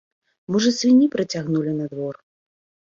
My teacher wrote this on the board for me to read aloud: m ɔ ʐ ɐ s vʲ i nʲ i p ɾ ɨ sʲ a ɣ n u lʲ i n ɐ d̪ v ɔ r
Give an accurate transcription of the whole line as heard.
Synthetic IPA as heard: m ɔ ʐ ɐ s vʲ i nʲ i p ɾ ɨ t͡sʲ a ɣ n u lʲ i n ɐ d̪ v ɔ r

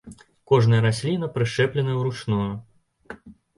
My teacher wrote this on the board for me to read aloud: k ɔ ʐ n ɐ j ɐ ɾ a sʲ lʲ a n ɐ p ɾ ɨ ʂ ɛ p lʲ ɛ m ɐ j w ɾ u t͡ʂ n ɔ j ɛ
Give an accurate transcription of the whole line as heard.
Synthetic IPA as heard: k ɔ ʐ n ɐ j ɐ ɾ a sʲ lʲ i n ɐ p ɾ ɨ ʂ ɛ p lʲ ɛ n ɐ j w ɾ u t͡ʂ n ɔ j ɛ

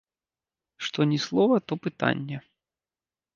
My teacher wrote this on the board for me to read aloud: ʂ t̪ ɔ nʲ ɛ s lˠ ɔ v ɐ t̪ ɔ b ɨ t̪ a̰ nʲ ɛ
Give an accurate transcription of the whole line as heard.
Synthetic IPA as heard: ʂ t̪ ɔ nʲ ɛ s lˠ ɔ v ɐ t̪ ɔ p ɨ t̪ a̰ nʲː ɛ

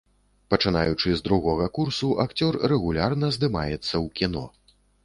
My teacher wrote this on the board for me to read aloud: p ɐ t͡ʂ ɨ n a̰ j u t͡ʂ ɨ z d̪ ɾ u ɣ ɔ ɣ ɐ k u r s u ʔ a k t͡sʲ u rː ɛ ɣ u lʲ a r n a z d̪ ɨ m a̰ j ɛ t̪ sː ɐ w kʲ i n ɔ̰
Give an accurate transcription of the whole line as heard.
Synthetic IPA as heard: p ɐ t͡ʂ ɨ n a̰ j u t͡ʂ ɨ z d̪ ɾ u ɣ ɔ ɣ ɐ k u r s u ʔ a k t͡sʲ ɔ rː ɛ ɣ u lʲ a r n ɐ z d̪ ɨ m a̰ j ɛ t̪ sː ɐ w kʲ i n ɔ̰

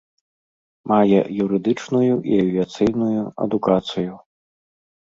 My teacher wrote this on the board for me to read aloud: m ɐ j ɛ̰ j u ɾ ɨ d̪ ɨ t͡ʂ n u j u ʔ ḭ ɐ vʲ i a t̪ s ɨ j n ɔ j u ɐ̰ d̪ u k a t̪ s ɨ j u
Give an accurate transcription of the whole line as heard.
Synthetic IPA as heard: m a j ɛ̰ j u ɾ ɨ d̪ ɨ t͡ʂ n u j u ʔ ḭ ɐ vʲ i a t̪ s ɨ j n u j u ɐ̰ d̪ u k a t̪ s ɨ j u

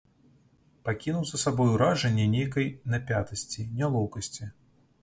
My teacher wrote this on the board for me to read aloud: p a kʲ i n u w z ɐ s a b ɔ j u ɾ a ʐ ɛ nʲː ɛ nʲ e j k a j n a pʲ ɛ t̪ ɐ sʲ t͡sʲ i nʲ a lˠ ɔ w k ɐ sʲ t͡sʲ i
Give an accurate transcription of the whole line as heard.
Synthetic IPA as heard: p a kʲ i n u w z ɐ s a b ɔ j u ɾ a ʐ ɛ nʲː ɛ nʲ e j k ɐ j n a pʲ a t̪ ɐ sʲ t͡sʲ i nʲ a lˠ ɔ w k ɐ sʲ t͡sʲ i

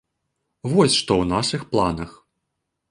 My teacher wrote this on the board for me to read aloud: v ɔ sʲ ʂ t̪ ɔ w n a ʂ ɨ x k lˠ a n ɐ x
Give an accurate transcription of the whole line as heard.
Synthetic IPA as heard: v ɔ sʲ ʂ t̪ ɔ w n a ʂ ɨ x p lˠ a n ɐ x

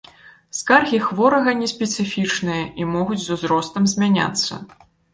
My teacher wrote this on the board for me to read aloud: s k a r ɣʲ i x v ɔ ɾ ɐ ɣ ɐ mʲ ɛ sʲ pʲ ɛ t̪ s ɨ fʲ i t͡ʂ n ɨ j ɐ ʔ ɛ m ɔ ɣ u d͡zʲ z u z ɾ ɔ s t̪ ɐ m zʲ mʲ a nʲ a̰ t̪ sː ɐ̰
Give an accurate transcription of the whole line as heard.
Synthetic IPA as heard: s k a r ɣʲ i x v ɔ ɾ ɐ ɣ ɐ nʲ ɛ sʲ pʲ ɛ t̪ s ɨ fʲ i t͡ʂ n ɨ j ɐ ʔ i m ɔ ɣ u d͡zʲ z u z ɾ ɔ s t̪ ɐ m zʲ mʲ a nʲ a̰ t̪ sː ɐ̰

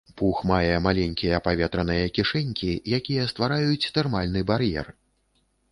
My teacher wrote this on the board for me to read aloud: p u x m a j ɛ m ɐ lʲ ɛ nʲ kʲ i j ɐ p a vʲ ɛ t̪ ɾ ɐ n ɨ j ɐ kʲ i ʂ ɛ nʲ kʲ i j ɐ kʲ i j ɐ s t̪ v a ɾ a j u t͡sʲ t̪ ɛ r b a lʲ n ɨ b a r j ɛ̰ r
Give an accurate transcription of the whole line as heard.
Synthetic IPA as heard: p u x m a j ɛ m a lʲ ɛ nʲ kʲ i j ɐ p a vʲ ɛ t̪ ɾ ɐ n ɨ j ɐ kʲ i ʂ ɛ nʲ kʲ i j a kʲ i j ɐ s t̪ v a ɾ a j u t͡sʲ t̪ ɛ r m a lʲ n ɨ b a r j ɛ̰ r

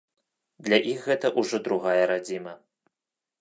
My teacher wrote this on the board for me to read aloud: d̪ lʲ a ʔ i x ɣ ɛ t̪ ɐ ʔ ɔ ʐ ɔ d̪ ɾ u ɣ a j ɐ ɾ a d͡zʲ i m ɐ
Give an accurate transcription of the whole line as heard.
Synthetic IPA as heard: d̪ lʲ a ʔ i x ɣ ɛ t̪ ɐ ʔ u ʐ ɔ d̪ ɾ u ɣ a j ɐ ɾ a d͡zʲ i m ɐ

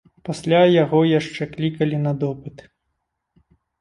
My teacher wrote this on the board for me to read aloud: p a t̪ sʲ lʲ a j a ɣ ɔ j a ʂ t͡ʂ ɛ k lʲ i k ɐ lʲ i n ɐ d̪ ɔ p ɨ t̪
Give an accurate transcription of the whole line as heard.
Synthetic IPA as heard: p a sʲ lʲ a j a ɣ ɔ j a ʂ t͡ʂ ɛ k lʲ i k ɐ lʲ i n ɐ d̪ ɔ p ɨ t̪

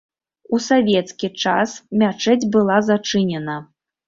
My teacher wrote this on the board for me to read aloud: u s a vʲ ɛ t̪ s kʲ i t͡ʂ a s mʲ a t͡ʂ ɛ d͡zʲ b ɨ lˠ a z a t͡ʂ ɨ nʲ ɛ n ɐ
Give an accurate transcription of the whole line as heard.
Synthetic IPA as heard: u s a vʲ ɛ t̪ s kʲ i t͡ʂ a s mʲ a t͡ʂ ɛ d͡zʲ b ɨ lˠ a z a t͡ʂ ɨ nʲ ɛ n ɐ

